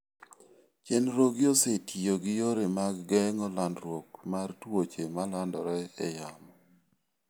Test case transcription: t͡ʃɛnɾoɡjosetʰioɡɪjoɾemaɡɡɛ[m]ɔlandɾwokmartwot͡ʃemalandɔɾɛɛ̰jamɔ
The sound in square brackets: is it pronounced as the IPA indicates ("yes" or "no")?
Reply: no